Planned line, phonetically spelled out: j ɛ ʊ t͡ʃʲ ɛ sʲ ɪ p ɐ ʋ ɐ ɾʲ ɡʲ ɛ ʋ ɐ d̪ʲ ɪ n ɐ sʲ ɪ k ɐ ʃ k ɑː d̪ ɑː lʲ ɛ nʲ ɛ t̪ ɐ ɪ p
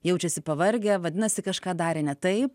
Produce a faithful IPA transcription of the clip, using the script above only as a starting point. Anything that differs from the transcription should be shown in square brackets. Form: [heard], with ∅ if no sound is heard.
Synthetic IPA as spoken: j ɛ ʊ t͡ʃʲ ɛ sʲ ɪ p ɐ ʋ ɐ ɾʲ ɡʲ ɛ ʋ ɐ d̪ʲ ɪ n ɐ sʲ ɪ k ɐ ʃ k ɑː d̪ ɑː [ɾʲ] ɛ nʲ ɛ t̪ ɐ ɪ p